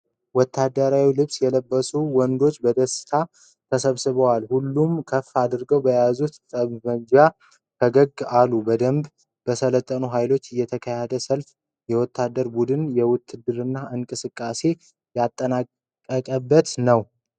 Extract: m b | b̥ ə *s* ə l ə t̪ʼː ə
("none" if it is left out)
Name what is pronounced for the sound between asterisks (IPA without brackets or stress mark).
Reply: s